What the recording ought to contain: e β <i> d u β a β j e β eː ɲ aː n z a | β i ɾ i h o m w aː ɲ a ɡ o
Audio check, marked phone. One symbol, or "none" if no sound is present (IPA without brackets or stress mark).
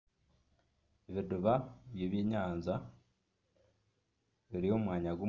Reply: i